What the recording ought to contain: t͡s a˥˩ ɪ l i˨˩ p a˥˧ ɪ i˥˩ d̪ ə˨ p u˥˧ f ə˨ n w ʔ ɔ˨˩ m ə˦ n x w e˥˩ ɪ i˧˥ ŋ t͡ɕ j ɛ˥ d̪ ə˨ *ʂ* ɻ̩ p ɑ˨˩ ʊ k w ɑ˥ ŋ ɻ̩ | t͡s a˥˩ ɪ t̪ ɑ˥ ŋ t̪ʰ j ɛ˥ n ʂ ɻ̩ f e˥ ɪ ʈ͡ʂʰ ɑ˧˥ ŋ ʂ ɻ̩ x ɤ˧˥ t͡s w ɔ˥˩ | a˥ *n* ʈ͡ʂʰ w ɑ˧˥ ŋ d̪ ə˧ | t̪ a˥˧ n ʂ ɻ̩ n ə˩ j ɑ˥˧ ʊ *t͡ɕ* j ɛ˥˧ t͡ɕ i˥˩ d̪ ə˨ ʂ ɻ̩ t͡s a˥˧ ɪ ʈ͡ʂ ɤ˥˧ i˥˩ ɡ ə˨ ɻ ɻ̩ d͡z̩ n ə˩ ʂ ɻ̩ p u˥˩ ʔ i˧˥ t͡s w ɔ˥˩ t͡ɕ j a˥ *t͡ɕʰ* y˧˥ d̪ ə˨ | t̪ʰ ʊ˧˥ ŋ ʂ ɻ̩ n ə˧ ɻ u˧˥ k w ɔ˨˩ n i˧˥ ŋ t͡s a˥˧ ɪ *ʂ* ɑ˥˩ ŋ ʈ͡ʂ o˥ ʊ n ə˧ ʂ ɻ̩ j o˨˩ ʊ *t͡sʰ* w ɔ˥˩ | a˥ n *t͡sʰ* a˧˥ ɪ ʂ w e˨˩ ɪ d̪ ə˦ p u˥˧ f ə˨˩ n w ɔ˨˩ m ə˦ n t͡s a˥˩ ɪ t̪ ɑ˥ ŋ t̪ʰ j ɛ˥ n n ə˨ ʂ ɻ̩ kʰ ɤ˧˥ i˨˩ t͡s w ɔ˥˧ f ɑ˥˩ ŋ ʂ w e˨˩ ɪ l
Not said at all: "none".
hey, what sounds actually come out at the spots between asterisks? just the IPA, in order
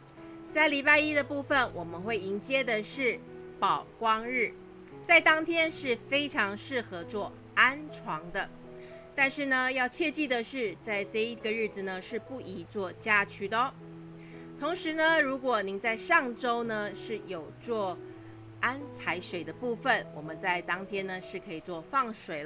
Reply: ʂ, n, t͡ɕʰ, t͡ɕʰ, ʂ, t͡s, t͡sʰ

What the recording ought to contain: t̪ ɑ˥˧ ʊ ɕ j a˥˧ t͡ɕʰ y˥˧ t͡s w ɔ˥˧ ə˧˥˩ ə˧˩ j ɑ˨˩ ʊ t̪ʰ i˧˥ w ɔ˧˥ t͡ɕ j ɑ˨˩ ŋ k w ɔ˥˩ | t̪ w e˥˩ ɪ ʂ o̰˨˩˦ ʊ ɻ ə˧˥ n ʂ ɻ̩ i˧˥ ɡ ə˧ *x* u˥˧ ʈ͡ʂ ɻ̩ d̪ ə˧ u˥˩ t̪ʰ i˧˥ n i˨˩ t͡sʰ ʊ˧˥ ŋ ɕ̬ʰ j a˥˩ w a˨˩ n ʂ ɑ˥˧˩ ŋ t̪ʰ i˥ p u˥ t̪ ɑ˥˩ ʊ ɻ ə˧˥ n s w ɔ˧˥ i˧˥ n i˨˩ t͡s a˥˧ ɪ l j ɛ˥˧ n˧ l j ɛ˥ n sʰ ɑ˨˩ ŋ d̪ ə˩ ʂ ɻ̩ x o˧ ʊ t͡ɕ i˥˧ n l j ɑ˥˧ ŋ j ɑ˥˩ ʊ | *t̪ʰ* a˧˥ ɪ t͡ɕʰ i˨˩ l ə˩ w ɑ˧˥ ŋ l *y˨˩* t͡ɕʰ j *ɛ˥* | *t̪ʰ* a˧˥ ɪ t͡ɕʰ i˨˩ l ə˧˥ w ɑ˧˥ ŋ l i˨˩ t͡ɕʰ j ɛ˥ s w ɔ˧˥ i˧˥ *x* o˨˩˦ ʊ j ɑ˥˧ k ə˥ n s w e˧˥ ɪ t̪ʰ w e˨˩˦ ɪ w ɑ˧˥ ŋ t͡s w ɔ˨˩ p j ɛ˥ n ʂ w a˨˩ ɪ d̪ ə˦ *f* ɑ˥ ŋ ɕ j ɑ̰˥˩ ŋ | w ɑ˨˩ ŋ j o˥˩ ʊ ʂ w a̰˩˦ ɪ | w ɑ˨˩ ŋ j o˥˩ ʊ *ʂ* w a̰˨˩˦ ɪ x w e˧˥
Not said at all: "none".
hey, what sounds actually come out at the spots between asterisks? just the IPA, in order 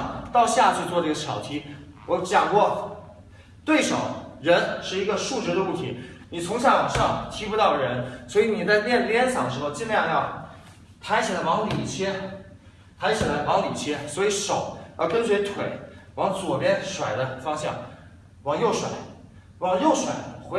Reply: ʂ, t̪ʰ, i˨˩, ɛ˥, t̪ʰ, ʂ, f, ʂ

